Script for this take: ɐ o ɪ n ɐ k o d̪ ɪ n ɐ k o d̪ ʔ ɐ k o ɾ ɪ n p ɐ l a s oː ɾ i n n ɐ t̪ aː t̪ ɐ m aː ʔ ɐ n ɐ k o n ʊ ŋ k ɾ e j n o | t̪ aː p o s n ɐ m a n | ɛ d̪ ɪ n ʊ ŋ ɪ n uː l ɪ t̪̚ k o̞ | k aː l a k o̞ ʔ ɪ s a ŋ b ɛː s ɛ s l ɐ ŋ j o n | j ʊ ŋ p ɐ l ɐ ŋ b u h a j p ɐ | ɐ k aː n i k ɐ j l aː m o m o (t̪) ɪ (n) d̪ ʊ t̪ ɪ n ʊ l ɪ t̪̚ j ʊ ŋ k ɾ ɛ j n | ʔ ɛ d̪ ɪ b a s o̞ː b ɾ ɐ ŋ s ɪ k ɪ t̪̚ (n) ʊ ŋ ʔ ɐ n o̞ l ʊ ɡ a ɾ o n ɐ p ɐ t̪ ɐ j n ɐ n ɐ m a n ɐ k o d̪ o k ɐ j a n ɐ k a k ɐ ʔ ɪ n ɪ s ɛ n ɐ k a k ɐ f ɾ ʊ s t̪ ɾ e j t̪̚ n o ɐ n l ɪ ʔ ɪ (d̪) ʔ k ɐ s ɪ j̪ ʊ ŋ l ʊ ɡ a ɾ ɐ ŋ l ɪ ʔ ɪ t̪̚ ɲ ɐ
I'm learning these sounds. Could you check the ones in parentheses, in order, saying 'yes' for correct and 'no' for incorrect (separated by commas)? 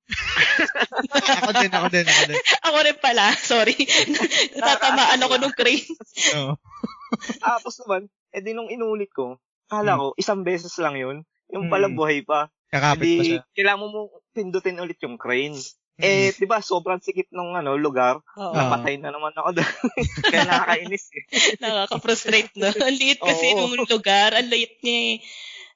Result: yes, yes, yes, no